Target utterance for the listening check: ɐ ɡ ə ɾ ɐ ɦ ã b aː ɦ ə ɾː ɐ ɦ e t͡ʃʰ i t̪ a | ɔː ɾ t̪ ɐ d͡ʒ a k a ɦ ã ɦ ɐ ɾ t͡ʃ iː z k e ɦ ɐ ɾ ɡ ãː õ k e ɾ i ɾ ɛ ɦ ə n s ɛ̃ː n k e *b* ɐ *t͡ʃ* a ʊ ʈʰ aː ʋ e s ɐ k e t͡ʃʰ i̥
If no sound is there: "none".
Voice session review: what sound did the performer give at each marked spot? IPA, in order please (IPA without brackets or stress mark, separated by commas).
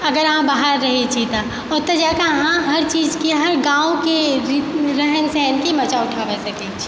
m, t͡ʃ